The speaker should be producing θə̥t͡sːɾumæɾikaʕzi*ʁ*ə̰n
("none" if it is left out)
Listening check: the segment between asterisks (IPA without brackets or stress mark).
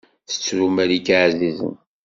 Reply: z